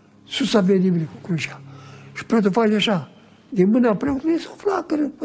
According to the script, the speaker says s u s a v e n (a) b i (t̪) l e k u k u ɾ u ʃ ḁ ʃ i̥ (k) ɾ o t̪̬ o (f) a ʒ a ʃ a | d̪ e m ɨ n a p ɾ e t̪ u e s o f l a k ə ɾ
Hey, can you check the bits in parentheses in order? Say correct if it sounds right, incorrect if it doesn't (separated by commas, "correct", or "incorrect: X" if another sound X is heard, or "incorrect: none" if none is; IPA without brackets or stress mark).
incorrect: i, incorrect: none, incorrect: p, correct